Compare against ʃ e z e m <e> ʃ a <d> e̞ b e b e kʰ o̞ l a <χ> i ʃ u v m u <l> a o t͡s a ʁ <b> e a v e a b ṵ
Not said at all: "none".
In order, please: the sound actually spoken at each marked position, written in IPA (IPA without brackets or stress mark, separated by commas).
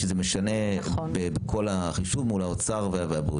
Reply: e, n, χ, l, v